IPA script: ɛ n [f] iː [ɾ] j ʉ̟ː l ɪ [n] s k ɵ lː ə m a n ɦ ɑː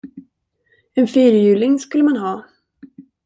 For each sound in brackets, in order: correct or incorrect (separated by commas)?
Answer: correct, correct, incorrect